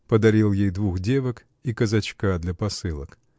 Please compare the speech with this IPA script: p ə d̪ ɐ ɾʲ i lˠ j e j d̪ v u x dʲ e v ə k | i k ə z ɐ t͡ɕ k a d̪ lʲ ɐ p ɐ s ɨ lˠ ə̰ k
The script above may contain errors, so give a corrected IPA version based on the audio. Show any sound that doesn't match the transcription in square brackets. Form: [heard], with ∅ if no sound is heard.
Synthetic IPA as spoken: p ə d̪ ɐ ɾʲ i lˠ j e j d̪ v u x dʲ e v ə k | i k ə z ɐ t͡ɕ k a d̪ lʲ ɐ p ɐ s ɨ lˠ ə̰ k